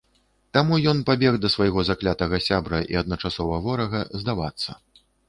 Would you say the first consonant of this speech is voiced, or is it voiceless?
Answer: voiceless